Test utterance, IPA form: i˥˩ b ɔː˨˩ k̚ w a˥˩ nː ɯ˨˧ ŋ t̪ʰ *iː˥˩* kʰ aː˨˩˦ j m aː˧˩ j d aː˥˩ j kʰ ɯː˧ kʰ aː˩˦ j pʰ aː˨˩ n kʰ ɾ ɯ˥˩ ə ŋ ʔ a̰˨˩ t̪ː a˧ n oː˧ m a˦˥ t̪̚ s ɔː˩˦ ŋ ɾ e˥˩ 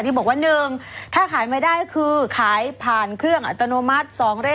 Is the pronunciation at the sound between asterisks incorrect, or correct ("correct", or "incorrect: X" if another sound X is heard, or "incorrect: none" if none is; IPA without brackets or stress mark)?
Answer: incorrect: aː˥˩